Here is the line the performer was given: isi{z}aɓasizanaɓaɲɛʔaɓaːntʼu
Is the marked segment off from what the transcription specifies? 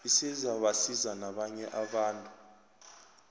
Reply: no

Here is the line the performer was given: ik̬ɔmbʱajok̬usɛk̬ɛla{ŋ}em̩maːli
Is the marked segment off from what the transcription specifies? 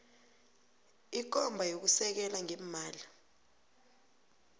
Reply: no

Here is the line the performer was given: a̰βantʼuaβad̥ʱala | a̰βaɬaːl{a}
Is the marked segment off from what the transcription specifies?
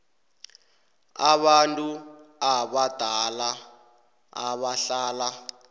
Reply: no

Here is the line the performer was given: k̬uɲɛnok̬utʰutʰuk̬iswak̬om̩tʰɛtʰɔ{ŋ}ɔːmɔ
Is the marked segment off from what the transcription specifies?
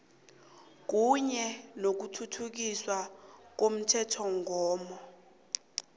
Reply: no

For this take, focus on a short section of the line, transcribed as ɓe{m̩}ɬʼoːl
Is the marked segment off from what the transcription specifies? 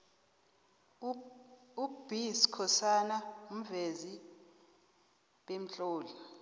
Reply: no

